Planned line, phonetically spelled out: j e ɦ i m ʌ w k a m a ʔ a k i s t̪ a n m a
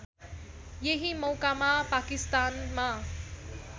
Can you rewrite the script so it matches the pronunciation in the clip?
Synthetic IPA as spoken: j e ɦ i m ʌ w k a m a p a k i s t̪ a n m a